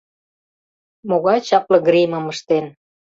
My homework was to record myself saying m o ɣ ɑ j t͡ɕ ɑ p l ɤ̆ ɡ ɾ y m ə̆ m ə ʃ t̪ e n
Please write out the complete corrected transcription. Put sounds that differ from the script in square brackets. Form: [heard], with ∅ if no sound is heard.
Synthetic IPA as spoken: m o ɣ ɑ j t͡ɕ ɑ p l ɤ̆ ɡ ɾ [i] m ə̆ m ə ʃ t̪ e n